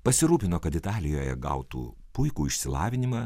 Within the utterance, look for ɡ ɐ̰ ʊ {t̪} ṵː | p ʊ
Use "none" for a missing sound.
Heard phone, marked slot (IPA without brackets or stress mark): t̪